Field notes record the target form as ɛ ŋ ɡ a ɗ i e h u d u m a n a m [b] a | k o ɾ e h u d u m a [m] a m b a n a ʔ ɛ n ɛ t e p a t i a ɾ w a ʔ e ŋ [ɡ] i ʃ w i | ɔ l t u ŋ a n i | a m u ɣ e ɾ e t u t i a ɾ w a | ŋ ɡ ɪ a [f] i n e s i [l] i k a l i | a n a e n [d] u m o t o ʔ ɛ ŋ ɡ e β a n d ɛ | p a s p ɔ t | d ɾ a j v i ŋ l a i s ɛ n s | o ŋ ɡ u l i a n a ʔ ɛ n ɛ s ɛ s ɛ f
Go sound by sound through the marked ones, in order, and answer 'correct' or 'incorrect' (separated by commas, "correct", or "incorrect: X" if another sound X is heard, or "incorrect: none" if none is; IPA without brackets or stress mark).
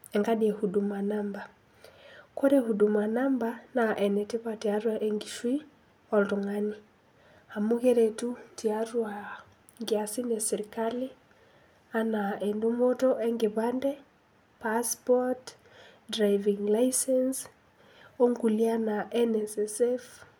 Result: correct, incorrect: n, correct, incorrect: s, incorrect: ɾ, correct